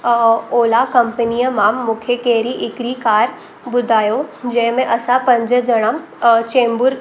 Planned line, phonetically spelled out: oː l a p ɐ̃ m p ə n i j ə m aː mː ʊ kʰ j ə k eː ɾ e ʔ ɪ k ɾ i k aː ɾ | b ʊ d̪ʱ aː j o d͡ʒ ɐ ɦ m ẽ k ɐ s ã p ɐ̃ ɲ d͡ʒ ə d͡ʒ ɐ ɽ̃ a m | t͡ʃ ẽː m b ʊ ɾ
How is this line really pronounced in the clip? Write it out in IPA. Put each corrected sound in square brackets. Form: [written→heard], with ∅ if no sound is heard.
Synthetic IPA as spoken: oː l a [p→k] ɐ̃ m p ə n i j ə m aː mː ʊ kʰ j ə k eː ɾ [e→i] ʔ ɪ k ɾ i k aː ɾ | b ʊ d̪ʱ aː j o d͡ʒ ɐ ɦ m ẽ [k→ʔ] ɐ s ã p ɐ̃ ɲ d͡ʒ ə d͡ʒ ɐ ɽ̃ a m | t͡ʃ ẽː m b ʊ ɾ